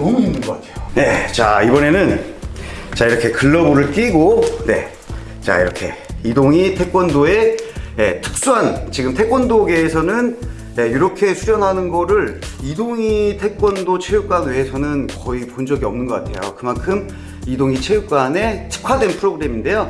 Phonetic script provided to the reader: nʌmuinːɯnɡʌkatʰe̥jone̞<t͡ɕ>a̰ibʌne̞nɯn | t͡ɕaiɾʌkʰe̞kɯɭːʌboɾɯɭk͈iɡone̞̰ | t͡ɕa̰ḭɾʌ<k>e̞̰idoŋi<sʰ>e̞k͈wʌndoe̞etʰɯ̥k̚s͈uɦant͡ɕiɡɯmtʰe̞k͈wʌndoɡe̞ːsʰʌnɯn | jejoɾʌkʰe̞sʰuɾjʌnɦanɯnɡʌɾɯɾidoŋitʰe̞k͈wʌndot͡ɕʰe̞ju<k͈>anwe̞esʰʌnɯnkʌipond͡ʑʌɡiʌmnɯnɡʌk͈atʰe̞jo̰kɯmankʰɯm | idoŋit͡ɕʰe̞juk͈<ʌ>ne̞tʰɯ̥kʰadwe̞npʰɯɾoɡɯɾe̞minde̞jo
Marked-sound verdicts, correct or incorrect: correct, incorrect, incorrect, correct, incorrect

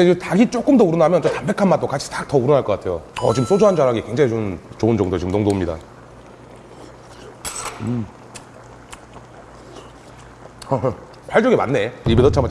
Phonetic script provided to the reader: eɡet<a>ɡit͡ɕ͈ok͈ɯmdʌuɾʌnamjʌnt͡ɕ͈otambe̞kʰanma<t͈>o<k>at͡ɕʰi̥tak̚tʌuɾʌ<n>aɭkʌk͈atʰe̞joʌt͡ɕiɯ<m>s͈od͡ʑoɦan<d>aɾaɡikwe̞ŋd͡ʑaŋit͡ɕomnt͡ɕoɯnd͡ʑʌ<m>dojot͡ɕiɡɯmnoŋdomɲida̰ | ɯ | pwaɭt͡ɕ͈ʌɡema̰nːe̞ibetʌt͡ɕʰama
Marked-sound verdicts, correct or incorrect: correct, correct, correct, correct, correct, incorrect, incorrect

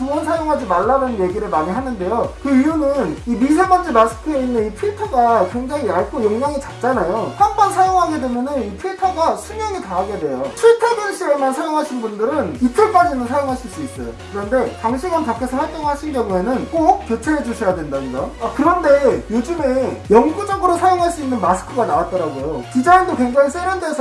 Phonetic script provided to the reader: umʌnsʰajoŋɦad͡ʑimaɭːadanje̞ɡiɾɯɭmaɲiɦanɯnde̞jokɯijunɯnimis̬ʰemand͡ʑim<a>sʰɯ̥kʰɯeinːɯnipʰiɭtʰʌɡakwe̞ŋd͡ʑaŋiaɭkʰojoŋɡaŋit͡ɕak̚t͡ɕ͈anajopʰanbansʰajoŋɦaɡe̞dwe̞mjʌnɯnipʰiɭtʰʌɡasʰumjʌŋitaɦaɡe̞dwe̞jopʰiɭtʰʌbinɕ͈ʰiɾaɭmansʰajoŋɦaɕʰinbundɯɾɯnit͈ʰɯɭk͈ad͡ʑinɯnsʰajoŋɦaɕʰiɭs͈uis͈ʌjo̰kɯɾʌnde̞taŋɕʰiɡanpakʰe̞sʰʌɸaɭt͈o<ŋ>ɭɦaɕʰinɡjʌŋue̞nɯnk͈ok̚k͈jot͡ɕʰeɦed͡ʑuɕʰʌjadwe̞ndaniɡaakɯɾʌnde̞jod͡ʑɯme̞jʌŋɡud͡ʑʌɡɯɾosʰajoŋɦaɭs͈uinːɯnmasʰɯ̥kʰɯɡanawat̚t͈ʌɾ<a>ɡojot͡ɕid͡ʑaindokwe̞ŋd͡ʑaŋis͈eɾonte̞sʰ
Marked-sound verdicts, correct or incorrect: correct, correct, correct

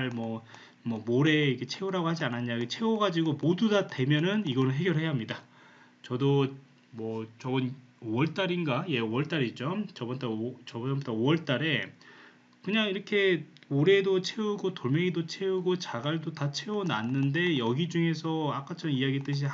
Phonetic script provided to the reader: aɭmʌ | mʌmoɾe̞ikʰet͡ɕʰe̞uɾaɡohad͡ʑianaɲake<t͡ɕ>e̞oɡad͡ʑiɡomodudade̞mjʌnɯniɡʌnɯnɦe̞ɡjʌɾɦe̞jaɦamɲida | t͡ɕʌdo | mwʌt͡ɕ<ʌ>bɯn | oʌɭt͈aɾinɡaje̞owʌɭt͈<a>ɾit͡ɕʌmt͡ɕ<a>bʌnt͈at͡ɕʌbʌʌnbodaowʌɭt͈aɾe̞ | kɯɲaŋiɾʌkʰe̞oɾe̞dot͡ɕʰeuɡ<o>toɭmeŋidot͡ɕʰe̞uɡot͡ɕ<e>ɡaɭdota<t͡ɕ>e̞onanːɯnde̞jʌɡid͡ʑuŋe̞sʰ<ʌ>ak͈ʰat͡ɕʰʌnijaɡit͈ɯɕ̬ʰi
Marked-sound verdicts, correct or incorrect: incorrect, correct, correct, incorrect, correct, incorrect, incorrect, correct

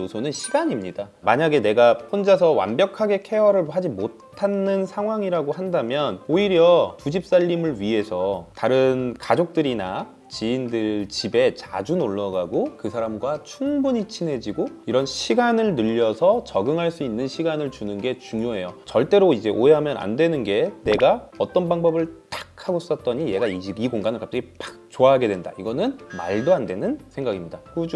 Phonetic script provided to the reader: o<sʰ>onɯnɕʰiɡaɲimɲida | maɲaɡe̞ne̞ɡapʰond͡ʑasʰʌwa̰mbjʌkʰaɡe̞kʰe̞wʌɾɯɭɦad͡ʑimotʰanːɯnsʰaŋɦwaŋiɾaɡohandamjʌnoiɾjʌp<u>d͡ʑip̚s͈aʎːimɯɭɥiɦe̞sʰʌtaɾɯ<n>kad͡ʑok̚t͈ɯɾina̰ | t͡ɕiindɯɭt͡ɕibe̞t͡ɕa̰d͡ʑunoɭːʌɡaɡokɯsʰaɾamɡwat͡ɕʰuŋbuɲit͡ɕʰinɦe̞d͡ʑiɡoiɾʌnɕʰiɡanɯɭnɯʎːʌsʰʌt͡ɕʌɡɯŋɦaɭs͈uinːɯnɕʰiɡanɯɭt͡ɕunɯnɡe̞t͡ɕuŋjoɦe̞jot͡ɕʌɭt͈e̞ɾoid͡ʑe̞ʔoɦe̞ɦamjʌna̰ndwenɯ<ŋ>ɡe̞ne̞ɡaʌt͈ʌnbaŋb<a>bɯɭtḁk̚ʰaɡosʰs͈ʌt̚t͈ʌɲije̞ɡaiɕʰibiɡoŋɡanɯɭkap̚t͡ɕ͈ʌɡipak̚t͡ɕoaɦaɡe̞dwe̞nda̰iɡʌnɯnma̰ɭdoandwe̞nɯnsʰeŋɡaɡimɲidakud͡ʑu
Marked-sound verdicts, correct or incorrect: correct, correct, correct, incorrect, incorrect

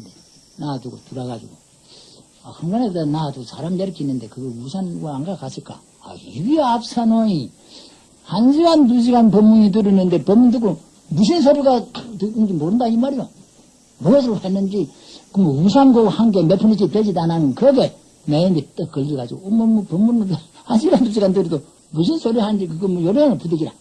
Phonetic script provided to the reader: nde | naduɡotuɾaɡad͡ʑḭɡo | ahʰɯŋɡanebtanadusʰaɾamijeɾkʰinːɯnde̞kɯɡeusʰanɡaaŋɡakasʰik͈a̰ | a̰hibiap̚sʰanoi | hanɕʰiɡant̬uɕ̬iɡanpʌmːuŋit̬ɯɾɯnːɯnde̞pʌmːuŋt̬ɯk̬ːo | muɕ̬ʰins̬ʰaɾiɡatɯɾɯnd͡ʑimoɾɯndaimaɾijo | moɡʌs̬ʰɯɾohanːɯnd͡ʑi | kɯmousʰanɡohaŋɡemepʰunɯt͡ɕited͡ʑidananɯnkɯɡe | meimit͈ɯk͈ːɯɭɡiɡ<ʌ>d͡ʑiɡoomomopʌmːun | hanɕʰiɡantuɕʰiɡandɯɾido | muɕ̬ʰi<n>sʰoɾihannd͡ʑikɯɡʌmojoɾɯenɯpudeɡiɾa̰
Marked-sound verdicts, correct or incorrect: incorrect, correct

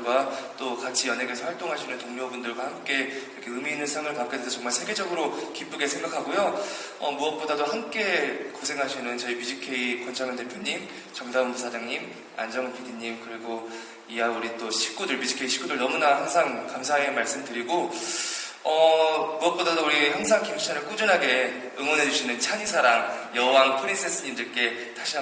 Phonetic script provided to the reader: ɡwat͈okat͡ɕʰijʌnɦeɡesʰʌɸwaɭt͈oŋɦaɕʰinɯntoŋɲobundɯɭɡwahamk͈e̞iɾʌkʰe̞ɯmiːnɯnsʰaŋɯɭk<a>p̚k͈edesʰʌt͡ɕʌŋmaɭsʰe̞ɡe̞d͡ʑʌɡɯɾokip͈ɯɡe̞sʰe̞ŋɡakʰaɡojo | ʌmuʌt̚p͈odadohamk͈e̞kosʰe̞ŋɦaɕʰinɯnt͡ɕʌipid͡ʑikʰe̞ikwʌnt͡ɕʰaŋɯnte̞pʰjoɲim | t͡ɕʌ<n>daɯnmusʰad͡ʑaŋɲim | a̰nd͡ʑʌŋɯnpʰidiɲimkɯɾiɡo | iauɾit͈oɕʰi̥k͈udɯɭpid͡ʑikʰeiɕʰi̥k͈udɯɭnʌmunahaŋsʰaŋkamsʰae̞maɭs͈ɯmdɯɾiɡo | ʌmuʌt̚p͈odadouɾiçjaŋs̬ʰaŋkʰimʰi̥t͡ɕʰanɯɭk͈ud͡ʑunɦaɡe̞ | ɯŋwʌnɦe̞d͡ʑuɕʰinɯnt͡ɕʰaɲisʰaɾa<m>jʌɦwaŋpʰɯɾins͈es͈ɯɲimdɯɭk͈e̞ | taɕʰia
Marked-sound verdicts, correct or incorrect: correct, incorrect, incorrect

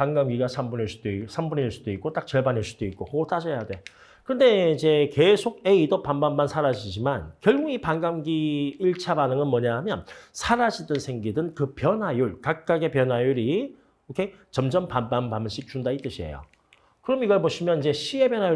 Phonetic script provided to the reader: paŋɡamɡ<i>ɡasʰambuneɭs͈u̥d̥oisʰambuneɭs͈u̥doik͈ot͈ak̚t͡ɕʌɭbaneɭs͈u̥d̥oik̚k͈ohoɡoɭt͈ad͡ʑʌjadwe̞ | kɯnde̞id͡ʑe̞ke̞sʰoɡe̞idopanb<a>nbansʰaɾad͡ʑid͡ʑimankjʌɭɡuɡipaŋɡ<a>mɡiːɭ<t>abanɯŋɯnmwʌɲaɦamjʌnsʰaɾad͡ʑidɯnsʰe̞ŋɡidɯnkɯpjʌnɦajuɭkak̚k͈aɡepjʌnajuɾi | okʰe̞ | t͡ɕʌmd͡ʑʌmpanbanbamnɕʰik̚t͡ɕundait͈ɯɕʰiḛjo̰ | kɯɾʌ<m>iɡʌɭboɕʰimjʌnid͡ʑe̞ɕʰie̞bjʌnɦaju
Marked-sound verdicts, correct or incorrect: correct, correct, correct, incorrect, correct

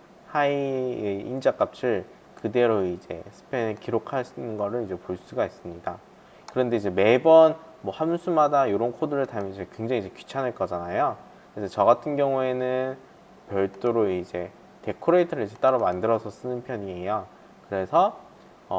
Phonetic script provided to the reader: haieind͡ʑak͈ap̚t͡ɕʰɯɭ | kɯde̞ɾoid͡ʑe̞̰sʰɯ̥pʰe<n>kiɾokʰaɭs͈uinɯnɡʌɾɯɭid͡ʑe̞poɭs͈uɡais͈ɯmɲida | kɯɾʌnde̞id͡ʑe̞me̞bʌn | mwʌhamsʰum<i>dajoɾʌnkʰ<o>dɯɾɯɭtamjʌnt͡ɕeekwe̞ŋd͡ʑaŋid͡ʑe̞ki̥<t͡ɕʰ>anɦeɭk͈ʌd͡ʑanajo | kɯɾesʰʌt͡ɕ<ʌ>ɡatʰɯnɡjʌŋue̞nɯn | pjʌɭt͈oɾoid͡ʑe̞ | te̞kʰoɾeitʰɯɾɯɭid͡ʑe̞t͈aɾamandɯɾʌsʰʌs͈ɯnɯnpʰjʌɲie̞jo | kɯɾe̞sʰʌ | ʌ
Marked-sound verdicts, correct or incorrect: correct, incorrect, correct, correct, correct

